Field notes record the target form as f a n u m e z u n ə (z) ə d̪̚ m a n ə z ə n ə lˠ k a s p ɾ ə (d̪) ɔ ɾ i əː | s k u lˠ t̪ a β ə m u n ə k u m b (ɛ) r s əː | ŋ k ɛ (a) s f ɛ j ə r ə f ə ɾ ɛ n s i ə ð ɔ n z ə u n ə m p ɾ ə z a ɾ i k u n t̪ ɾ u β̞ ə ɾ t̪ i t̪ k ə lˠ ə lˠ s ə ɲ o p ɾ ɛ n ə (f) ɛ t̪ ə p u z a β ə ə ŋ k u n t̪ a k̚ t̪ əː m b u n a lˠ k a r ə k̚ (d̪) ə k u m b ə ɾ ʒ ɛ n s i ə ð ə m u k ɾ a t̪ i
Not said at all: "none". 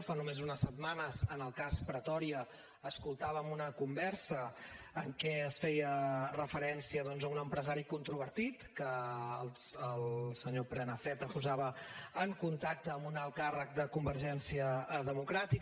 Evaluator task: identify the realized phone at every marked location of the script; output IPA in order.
s, t̪, ɛ, ə, f, d̪

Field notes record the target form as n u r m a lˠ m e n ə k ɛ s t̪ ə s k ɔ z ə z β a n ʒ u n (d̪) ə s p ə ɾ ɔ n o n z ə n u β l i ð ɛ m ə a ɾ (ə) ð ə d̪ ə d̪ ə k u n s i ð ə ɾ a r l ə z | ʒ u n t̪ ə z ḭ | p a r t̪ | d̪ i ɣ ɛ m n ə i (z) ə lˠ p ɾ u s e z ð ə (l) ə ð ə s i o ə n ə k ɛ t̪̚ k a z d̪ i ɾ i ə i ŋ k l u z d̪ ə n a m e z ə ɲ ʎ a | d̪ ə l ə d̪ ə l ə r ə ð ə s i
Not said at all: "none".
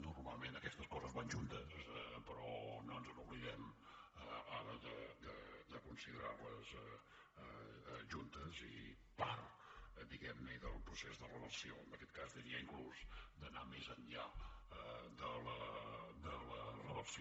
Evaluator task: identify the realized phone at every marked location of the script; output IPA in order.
t̪, ə, ð, r

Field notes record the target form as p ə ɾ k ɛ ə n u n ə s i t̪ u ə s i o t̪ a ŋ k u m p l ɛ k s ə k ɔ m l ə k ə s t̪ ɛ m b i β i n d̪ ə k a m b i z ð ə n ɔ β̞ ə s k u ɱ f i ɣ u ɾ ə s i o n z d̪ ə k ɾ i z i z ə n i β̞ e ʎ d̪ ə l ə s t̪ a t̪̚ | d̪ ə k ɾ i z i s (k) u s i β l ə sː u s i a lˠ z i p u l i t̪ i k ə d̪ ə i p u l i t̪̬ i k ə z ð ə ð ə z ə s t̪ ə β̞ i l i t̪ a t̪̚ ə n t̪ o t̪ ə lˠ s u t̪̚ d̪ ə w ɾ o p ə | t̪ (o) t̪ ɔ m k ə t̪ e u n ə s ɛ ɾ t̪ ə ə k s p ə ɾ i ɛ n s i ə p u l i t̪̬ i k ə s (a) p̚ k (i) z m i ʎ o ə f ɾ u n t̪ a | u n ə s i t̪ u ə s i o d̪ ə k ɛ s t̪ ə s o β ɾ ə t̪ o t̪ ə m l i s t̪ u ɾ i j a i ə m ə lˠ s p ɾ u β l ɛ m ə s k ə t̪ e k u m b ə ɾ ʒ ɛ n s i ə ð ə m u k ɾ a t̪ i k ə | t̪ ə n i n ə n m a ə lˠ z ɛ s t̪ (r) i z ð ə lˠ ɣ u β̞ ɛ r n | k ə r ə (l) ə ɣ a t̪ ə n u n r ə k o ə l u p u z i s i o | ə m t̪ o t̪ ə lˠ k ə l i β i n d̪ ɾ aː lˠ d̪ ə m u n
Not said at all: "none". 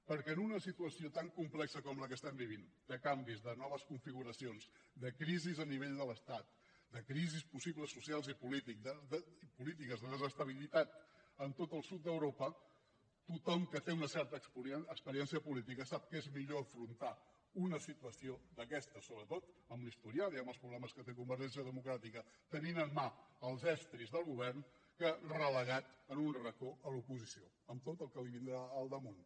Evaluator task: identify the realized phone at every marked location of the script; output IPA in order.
p, u, a, e, ɾ, l

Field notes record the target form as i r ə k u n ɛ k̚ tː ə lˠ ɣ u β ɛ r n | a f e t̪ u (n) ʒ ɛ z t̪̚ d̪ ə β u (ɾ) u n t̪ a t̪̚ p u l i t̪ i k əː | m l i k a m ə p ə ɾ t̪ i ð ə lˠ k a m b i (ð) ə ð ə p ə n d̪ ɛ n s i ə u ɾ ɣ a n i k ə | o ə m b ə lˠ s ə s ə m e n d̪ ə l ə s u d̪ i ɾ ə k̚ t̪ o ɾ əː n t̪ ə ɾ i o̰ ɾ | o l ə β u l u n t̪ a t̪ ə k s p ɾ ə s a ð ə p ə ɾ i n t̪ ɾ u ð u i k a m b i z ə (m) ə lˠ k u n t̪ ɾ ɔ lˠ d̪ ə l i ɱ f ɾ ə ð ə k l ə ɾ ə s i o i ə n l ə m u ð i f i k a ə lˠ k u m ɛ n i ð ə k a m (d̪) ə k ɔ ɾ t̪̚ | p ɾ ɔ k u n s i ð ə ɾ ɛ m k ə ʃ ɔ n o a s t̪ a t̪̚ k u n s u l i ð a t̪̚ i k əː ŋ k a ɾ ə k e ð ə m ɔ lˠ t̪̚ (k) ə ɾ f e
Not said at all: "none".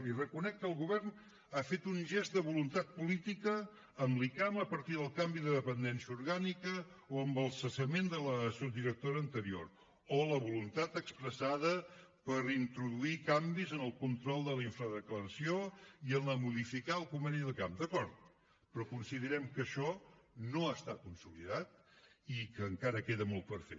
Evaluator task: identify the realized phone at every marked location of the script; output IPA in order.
n, l, ð, n, d̪, p

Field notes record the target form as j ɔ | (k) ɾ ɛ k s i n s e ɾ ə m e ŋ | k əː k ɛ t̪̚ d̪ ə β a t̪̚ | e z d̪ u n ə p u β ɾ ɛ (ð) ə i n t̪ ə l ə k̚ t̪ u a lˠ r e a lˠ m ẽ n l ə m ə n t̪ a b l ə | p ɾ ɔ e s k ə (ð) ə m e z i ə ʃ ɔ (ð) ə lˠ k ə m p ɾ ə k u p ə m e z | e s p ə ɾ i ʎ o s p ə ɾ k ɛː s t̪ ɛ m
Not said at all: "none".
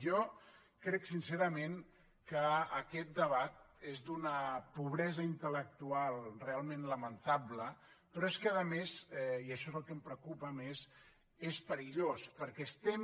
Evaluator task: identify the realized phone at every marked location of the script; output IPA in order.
k, z, ð, z

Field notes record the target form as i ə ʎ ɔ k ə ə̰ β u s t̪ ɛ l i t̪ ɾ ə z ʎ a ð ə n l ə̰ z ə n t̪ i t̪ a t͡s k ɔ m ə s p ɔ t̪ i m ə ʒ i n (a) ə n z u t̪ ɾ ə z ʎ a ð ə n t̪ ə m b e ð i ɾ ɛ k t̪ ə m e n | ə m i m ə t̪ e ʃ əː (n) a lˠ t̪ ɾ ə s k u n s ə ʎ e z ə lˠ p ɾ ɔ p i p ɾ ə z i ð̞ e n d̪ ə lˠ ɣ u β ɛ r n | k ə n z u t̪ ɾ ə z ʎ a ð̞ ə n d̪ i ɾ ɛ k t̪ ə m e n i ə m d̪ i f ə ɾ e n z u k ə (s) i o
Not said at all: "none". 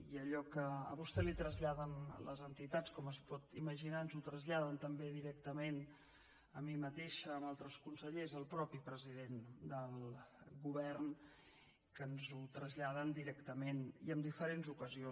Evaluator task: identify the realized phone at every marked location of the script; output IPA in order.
a, m, z

